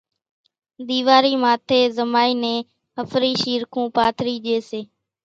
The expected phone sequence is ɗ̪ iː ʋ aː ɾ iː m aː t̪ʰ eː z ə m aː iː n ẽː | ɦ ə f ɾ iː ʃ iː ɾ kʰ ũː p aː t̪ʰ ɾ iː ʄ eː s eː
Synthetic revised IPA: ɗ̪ iː ʋ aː ɾ iː m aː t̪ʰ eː z ə m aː iː n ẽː | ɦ ə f ɾ iː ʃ iː ɾ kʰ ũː p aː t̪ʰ ɾ iː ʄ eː s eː